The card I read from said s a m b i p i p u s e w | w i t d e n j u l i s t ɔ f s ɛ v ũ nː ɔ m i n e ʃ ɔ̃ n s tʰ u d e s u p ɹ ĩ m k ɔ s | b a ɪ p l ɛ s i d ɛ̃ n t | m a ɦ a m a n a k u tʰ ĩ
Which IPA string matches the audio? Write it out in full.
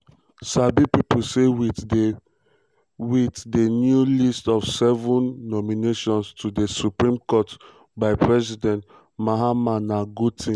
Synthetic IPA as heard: s a b i p i p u s e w | w i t d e n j u l i s t ɔ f s ɛ v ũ nː ɔ m i n e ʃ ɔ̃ n s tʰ u d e s u p ɹ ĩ m k ɔ t | b a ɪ p ɹ ɛ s i d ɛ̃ n t | m a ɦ a m a n a ɡ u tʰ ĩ